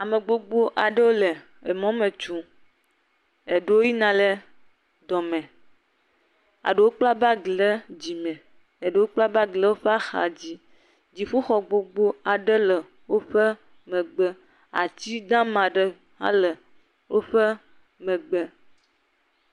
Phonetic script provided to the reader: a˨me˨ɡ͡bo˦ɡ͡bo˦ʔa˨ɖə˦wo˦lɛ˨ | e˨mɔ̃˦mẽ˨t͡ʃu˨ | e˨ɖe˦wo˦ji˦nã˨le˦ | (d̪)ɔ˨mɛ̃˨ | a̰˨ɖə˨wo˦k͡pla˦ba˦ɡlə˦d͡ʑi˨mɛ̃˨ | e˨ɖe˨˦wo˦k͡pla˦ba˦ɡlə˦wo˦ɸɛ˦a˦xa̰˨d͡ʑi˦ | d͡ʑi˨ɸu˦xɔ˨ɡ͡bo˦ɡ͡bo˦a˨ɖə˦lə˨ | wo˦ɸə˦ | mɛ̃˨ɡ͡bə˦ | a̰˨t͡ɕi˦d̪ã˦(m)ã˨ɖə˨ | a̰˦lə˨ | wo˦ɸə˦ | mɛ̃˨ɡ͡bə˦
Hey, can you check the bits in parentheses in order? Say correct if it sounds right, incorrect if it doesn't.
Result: correct, correct

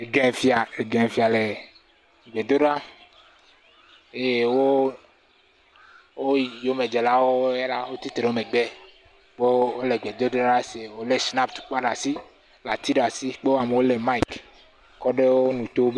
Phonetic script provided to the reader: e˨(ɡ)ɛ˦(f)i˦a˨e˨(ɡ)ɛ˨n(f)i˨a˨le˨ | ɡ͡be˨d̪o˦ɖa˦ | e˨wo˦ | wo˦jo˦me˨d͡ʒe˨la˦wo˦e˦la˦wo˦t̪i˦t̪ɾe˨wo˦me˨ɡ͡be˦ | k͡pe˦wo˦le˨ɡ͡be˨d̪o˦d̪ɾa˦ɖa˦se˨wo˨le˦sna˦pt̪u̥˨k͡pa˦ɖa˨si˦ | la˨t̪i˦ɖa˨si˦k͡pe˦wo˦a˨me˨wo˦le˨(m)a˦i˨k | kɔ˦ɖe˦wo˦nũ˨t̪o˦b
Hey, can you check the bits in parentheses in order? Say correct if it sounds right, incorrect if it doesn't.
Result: correct, correct, correct, correct, correct

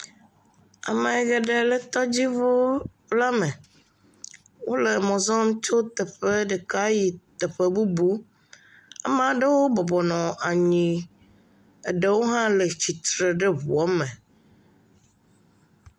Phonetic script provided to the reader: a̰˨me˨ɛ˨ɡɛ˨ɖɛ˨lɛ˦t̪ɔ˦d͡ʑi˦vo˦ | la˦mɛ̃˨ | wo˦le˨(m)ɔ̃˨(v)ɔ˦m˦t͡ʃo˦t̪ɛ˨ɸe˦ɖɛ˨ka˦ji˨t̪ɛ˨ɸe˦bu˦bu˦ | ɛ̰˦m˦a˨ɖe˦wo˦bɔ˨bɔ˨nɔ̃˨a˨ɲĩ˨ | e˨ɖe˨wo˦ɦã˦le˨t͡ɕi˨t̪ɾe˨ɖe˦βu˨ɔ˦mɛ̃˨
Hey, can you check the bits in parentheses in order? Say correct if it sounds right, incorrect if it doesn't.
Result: correct, incorrect: z

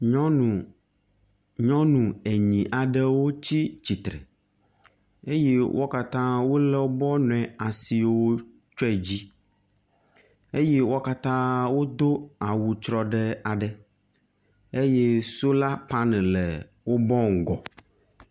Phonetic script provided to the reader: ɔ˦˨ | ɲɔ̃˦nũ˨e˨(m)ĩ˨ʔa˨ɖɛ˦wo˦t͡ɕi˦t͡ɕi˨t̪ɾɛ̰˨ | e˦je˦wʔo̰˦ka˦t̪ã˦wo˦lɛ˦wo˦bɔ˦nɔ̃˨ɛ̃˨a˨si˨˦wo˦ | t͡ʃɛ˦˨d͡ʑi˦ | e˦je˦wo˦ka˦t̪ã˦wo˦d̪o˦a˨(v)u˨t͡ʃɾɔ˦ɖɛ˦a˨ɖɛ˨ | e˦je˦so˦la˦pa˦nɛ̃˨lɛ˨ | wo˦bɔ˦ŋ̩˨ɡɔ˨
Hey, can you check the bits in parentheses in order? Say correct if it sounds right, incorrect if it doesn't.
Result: incorrect: ɲ, incorrect: w

